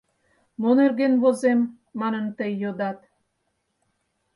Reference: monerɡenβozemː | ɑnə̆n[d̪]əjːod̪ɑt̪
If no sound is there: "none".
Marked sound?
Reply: t̪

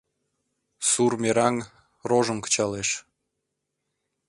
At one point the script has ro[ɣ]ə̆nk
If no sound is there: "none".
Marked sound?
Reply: ʒ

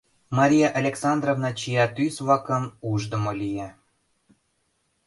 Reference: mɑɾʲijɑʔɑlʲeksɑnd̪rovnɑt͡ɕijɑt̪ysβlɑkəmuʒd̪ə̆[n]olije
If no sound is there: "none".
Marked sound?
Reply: m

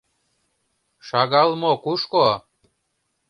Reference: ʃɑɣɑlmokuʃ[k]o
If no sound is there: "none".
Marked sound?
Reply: k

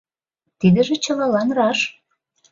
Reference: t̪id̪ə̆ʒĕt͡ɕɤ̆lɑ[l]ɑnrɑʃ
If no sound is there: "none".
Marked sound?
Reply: l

